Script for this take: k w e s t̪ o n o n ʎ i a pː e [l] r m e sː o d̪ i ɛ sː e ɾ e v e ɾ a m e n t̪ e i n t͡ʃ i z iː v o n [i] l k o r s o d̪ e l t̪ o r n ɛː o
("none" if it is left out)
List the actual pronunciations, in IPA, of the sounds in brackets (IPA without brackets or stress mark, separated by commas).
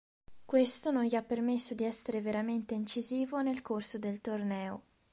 none, e